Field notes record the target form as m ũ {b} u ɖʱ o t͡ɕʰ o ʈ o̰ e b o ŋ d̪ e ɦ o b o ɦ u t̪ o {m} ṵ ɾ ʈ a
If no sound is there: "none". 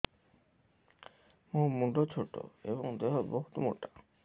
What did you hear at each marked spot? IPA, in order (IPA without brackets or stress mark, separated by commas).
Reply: m, m